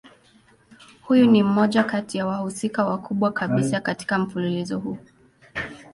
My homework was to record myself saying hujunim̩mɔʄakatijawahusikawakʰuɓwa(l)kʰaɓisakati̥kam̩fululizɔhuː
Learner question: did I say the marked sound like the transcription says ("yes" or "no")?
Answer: no